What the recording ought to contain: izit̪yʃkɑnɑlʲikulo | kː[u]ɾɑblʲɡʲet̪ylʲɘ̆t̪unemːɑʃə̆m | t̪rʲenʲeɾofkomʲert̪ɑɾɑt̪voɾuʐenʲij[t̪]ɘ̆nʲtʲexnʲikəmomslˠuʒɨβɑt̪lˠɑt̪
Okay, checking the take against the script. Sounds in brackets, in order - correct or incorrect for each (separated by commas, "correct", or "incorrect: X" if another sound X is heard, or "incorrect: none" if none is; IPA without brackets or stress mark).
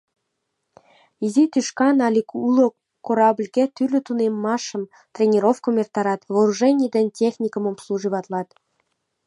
incorrect: o, incorrect: d̪